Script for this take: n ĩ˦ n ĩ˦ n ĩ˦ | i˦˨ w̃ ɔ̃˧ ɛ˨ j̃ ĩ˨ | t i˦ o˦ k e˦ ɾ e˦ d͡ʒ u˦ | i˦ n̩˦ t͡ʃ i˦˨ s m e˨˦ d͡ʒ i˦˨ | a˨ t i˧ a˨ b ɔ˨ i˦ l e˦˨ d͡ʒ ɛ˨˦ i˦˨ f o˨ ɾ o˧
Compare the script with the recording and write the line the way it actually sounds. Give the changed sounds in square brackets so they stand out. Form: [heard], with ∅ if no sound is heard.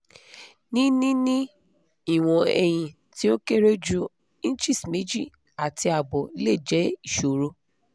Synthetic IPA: n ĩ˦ n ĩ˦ n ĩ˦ | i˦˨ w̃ ɔ̃˧ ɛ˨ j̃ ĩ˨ | t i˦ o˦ k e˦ ɾ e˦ d͡ʒ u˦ | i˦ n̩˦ t͡ʃ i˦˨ s m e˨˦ d͡ʒ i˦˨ | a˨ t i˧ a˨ b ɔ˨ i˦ l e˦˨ d͡ʒ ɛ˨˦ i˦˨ [ʃ] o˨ ɾ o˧